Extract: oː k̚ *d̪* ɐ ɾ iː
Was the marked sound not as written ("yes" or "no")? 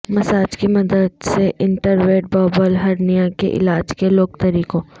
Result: yes